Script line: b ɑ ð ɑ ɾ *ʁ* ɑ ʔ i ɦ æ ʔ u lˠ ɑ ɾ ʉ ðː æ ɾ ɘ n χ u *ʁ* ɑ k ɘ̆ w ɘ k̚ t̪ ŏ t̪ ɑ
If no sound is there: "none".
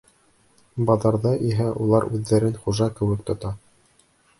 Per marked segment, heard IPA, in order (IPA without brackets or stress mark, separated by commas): ð, ʒ